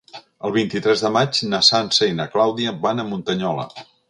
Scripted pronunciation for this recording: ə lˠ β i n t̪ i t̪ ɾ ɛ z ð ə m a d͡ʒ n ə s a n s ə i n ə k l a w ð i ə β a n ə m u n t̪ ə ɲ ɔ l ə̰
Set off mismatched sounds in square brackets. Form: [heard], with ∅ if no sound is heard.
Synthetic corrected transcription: ə lˠ β i n t̪ i t̪ ɾ ɛ z ð ə m a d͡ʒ n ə s a n s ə i n ə k l a w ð i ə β a n ə m u n t̪ ə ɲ ɔ l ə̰

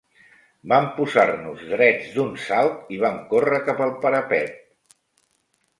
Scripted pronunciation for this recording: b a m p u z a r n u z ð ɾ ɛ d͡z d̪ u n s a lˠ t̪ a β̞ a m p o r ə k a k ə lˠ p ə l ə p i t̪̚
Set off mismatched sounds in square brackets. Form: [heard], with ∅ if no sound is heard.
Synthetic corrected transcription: b a m p u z a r n u z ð ɾ ɛ d͡z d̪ u n s a lˠ t̪ [i] β̞ a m [k] o r ə k a [p] ə lˠ p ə [ɾ] ə p [ɛ] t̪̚

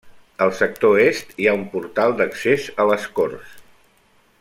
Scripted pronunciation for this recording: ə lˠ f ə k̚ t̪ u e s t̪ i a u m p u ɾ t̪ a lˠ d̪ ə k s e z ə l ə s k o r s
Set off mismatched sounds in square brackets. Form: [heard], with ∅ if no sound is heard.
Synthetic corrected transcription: ə lˠ [s] ə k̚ t̪ [o] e s t̪ i a u m p u ɾ t̪ a lˠ d̪ ə k s e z ə l ə s k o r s

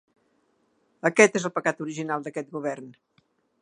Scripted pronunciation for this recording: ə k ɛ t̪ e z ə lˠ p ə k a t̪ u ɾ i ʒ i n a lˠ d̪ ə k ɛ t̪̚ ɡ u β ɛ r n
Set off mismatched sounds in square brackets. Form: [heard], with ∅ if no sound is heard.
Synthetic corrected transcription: ə k ɛ t̪ e z ə lˠ p ə k a t̪ u ɾ i ʒ i n a lˠ d̪ ə k ɛ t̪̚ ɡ u β ɛ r n

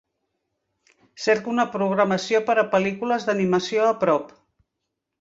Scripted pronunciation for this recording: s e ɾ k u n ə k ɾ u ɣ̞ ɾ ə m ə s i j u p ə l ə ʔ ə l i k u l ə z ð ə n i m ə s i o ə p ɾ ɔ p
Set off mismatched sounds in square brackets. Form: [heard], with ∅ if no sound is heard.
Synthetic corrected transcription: s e ɾ k u n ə [p] ɾ u ɣ̞ ɾ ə m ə s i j [o] p ə [ɾ] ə [p] ə l i k u l ə z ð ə n i m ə s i o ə p ɾ ɔ p

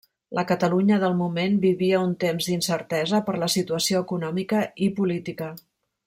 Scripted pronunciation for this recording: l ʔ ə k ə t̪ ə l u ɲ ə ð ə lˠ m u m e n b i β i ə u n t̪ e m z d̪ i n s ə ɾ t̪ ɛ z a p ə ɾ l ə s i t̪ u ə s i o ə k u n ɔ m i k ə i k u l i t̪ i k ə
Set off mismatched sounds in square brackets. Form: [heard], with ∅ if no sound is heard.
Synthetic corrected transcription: l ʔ ə k ə t̪ ə l u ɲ ə ð ə lˠ m u m e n b i β i ə u n t̪ e m z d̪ i n s ə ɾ t̪ ɛ z [ə] p ə ɾ l ə s i t̪ u ə s i o ə k u n ɔ m i k ə i [p] u l i t̪ i k ə

